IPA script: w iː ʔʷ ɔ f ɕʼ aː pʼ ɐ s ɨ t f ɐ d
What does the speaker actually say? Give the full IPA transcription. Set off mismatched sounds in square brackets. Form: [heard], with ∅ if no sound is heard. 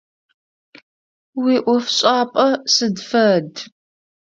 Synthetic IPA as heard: w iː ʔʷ ɔ f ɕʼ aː pʼ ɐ s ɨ [d] f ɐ d

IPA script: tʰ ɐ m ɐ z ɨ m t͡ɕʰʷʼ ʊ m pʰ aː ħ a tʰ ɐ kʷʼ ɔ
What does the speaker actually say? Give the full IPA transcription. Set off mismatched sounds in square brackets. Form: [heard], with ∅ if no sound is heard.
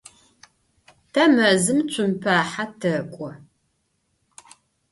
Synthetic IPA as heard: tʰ ɐ m ɐ z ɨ m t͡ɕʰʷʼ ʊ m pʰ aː ħ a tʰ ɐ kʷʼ ɔ

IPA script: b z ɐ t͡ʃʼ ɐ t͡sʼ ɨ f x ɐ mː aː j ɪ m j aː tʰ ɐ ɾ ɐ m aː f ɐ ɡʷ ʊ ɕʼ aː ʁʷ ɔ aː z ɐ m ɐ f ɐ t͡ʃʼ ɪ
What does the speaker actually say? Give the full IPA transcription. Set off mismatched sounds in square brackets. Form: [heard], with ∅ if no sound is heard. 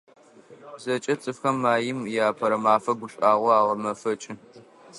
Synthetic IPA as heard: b z ɐ t͡ʃʼ ɐ t͡sʼ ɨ f x ɐ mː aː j ɪ m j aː [pʰ] ɐ ɾ ɐ m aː f ɐ ɡʷ ʊ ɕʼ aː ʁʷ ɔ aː [ʁ] ɐ m ɐ f ɐ t͡ʃʼ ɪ

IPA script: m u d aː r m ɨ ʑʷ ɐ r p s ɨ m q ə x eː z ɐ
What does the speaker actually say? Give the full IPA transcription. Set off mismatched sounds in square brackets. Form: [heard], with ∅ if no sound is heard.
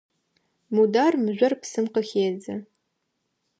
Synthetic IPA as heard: m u d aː r m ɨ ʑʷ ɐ r p s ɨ m q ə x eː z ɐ

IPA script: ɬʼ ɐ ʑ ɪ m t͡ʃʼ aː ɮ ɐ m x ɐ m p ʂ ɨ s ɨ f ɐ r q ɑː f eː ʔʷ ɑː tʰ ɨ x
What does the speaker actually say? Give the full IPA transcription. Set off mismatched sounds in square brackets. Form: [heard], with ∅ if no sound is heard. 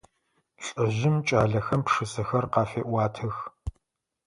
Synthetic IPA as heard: ɬʼ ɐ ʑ ɪ m t͡ʃʼ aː ɮ ɐ [∅] x ɐ m p ʂ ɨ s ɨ [x] ɐ r q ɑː f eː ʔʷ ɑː tʰ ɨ x

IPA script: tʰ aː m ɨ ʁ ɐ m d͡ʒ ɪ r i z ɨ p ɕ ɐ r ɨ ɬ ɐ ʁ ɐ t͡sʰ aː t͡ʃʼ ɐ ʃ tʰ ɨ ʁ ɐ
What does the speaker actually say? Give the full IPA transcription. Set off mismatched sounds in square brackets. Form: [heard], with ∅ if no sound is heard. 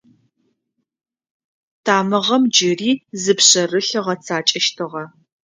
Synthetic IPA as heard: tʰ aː m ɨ ʁ ɐ m d͡ʒ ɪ r [iː] z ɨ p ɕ ɐ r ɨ ɬ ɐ ʁ ɐ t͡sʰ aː t͡ʃʼ ɐ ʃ tʰ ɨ ʁ ɐ

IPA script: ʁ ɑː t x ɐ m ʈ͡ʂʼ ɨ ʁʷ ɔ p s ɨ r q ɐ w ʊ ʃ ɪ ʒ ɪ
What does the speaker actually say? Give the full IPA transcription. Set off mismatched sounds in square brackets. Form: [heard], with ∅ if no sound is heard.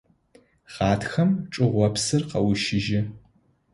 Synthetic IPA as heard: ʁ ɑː t x ɐ m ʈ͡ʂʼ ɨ ʁʷ ɔ p s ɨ r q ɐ w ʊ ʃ ɪ ʒ ɪ

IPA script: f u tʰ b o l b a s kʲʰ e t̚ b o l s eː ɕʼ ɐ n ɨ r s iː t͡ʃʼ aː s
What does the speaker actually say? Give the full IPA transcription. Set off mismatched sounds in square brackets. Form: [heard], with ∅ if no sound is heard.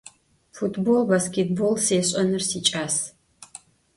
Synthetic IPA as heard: f u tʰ b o l b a s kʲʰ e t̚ b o l s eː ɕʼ ɐ n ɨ r s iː t͡ʃʼ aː s

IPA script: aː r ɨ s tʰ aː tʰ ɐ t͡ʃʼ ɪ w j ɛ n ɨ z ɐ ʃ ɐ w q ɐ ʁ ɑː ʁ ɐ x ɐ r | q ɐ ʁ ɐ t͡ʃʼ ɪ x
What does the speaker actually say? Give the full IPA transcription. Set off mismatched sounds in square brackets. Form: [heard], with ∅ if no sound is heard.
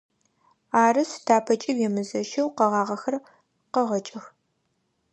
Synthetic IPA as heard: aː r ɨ s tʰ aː [pʰ] ɐ t͡ʃʼ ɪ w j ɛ [m] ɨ z ɐ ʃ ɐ w q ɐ ʁ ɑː ʁ ɐ x ɐ r | q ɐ ʁ ɐ t͡ʃʼ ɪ x

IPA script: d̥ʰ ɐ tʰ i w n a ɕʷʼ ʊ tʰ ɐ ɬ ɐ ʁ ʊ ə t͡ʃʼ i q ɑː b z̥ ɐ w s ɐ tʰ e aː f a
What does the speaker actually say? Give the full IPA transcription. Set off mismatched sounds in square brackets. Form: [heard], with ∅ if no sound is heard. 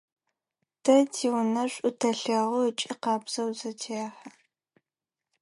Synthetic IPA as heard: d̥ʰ ɐ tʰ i w n [ɐ] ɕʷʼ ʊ tʰ ɐ ɬ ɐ ʁ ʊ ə t͡ʃʼ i q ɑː b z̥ ɐ w [z] ɐ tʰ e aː [ħ] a

